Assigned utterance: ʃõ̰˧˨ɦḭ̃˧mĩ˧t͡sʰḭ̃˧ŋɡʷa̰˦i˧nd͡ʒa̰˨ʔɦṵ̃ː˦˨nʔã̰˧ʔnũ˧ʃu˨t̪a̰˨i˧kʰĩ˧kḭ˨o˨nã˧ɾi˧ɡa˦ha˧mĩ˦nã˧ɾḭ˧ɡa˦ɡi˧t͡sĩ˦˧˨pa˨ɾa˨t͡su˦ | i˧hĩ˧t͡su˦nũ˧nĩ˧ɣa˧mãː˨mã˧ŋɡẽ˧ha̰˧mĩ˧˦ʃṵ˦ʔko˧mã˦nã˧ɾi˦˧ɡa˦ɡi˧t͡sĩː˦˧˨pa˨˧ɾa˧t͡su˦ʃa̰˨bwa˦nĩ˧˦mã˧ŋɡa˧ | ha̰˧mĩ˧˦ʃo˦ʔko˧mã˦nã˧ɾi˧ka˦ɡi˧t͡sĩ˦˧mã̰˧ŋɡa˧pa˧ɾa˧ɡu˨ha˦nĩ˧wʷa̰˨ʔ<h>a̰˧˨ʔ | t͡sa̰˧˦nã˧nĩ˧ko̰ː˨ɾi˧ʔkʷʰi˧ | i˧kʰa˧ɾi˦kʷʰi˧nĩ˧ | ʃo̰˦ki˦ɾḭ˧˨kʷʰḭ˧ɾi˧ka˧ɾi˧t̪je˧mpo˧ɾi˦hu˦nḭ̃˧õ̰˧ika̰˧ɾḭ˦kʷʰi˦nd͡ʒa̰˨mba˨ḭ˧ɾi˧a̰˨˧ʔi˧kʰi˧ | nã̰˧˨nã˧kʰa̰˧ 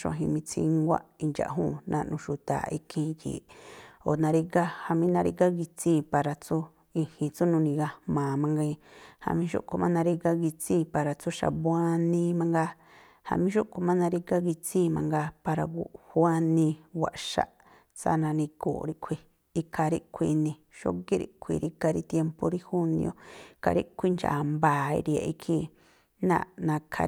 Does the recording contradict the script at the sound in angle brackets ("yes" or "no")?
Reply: yes